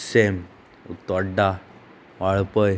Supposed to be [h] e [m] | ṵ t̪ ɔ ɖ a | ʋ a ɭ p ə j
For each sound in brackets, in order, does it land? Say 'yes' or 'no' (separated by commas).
no, yes